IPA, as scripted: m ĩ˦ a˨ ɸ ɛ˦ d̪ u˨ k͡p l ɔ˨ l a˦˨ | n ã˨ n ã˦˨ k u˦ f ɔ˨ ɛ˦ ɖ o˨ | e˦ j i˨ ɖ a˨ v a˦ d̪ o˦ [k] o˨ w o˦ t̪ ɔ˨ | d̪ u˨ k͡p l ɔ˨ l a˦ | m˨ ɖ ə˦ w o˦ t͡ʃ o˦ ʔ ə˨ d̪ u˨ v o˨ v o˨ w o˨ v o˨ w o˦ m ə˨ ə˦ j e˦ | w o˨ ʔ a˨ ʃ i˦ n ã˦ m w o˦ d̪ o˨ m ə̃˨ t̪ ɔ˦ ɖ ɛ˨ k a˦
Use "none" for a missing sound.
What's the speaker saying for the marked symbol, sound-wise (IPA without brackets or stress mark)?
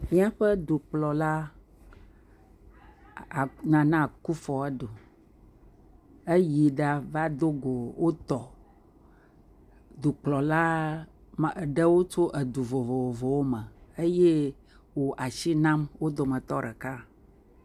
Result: ɡ